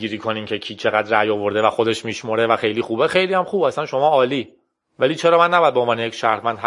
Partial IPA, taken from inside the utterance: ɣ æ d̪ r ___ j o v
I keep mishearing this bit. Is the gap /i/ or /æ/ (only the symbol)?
æ